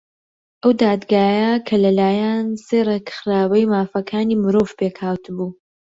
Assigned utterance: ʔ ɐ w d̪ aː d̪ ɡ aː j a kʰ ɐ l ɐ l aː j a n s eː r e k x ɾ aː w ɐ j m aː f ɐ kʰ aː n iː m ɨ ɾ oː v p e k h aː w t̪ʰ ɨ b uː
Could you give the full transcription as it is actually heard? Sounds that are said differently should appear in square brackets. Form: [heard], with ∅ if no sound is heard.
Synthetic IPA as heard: ʔ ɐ w d̪ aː d̪ ɡ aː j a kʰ ɐ l ɐ l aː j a n s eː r e k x ɾ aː w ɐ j m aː f ɐ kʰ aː n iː m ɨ ɾ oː v p e k h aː w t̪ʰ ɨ b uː